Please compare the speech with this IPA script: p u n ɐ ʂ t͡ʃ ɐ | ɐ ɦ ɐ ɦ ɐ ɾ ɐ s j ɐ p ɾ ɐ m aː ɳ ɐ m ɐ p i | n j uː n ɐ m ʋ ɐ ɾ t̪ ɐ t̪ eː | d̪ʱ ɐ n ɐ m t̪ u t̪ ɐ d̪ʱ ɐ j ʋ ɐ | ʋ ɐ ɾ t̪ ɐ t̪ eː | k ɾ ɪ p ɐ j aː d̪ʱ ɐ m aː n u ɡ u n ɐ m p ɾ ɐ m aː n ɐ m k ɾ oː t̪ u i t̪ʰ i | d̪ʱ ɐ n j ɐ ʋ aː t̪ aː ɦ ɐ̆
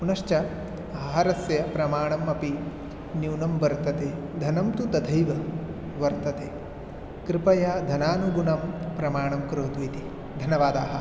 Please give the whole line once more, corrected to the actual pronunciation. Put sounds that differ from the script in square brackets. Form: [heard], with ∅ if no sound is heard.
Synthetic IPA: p u n ɐ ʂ t͡ʃ ɐ | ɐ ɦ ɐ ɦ ɐ ɾ ɐ s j ɐ p ɾ ɐ m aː ɳ ɐ m ɐ p i | n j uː n ɐ m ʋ ɐ ɾ t̪ ɐ t̪ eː | d̪ʱ ɐ n ɐ m t̪ u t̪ ɐ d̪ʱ ɐ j ʋ ɐ | ʋ ɐ ɾ t̪ ɐ t̪ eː | k ɾ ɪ p ɐ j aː d̪ʱ ɐ [n] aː n u ɡ u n ɐ m p ɾ ɐ m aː [ɳ] ɐ m k ɾ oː t̪ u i [t̪] i | d̪ʱ ɐ n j ɐ ʋ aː [d̪] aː ɦ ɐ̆

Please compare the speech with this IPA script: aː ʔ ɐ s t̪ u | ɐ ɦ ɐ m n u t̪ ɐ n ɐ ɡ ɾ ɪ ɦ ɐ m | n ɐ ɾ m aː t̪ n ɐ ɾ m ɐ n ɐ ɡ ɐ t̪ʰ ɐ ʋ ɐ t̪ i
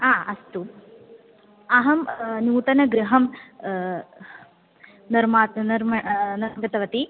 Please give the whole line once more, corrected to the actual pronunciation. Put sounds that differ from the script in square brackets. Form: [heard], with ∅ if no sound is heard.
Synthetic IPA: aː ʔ ɐ s t̪ u | ɐ ɦ ɐ m n [uː] t̪ ɐ n ɐ ɡ ɾ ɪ ɦ ɐ m | n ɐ ɾ m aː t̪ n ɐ ɾ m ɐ n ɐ ɡ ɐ [t̪] ɐ ʋ ɐ t̪ i

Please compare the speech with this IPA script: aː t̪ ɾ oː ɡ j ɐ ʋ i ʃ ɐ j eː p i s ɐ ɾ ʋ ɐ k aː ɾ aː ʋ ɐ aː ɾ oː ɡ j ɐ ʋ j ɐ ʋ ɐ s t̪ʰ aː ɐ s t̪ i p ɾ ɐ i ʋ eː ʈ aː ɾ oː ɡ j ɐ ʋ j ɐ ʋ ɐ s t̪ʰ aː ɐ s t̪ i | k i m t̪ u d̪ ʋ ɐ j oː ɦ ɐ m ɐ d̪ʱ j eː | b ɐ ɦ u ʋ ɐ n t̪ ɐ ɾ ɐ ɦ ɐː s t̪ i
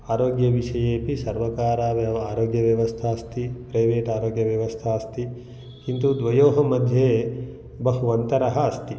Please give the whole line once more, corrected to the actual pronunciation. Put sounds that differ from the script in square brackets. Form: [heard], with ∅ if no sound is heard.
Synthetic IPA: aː [∅] ɾ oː ɡ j ɐ ʋ i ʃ ɐ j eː p i s ɐ ɾ ʋ ɐ k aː ɾ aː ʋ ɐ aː ɾ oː ɡ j ɐ ʋ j ɐ ʋ ɐ s t̪ʰ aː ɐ s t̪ i p ɾ ɐ [j] ʋ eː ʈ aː ɾ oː ɡ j ɐ ʋ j ɐ ʋ ɐ s t̪ʰ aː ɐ s t̪ i | k i [n] t̪ u d̪ ʋ ɐ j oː ɦ ɐ m ɐ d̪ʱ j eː | b ɐ ɦ u ʋ ɐ n t̪ ɐ ɾ ɐ ɦ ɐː s t̪ i

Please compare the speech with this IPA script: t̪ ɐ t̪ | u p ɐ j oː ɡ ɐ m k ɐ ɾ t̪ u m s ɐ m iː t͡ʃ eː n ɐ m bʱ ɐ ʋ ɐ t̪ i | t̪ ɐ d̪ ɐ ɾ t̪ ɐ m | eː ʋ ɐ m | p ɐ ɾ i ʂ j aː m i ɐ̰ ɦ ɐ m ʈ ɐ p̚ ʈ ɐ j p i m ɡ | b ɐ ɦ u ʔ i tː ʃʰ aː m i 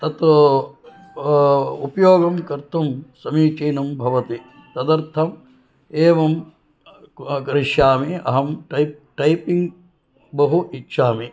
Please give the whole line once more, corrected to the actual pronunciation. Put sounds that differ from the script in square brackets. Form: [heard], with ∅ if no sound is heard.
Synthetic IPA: t̪ ɐ t̪ | u p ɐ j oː ɡ ɐ m k ɐ ɾ t̪ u m s ɐ m iː t͡ʃ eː n ɐ m bʱ ɐ ʋ ɐ t̪ i | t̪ ɐ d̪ ɐ ɾ [t̪ʰ] ɐ m | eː ʋ ɐ m | [k] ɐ ɾ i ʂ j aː m i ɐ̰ ɦ ɐ m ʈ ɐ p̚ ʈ ɐ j p i [ŋ] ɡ | b ɐ ɦ u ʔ i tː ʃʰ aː m i

